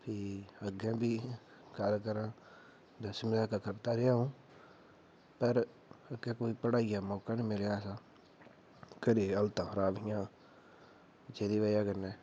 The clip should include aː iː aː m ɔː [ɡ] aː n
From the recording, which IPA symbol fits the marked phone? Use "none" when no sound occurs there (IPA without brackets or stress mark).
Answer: k